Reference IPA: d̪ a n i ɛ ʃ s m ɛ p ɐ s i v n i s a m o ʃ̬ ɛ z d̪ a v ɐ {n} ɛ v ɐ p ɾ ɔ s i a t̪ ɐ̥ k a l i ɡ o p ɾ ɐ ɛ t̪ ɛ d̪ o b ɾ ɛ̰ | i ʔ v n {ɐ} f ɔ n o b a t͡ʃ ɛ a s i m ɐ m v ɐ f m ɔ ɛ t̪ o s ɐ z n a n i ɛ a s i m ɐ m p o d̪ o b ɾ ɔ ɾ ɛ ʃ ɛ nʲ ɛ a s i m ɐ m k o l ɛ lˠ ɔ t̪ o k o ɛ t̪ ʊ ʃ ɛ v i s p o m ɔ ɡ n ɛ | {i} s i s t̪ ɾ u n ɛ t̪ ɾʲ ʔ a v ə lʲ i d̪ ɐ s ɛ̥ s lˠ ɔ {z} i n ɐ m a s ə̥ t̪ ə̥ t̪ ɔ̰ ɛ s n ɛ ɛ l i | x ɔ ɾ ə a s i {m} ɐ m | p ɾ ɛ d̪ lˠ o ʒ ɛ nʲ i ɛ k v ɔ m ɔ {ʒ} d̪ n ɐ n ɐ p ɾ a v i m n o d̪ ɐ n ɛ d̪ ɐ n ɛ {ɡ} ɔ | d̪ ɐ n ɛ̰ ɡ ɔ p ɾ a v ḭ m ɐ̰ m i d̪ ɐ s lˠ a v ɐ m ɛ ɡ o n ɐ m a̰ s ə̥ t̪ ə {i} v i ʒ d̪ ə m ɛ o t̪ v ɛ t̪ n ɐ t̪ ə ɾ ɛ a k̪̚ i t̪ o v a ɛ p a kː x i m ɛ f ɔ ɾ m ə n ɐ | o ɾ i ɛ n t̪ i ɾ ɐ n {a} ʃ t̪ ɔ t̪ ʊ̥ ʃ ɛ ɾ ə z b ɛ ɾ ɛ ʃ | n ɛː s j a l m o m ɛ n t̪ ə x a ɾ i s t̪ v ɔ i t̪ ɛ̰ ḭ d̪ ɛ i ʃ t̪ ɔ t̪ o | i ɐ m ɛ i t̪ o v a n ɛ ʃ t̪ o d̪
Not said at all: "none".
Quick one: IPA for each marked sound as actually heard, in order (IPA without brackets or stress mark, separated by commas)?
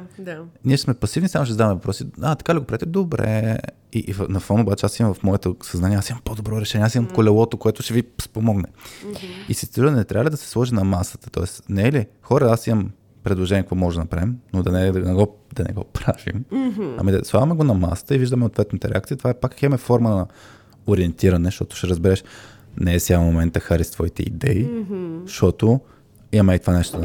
m, ɐ, i, ʒ, m, ʒ, ɡ, i, ɛ